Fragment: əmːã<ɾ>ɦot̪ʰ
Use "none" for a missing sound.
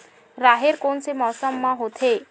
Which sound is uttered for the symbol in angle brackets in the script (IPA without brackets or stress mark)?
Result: none